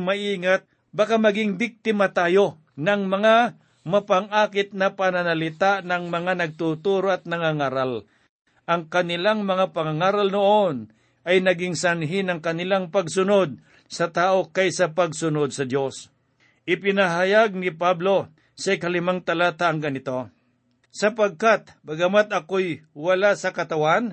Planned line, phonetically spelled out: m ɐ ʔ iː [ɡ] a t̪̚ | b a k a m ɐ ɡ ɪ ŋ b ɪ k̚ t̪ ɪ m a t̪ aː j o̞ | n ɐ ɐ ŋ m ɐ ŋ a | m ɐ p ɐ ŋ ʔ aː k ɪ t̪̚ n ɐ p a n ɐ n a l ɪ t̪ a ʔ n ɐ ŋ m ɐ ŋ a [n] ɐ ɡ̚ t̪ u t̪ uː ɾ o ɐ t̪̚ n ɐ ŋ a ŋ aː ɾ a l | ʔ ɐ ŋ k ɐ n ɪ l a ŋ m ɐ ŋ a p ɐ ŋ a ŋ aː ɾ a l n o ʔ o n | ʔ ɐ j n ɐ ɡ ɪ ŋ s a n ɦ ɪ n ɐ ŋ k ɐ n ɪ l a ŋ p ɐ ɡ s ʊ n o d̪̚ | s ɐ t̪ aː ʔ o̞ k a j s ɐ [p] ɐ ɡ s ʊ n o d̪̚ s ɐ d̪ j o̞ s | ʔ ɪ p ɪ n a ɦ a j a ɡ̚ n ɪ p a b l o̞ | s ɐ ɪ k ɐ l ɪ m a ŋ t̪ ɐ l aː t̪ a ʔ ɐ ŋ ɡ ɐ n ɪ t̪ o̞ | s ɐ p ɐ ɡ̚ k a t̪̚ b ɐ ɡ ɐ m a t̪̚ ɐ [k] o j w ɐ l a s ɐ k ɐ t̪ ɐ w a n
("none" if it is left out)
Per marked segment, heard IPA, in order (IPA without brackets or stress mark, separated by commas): ŋ, n, p, k